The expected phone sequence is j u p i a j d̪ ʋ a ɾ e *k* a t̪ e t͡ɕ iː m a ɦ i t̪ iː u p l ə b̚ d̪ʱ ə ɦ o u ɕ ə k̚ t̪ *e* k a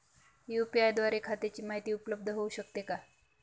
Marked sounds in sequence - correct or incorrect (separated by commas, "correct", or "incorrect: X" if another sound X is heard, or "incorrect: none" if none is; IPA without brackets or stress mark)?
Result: incorrect: kʰ, correct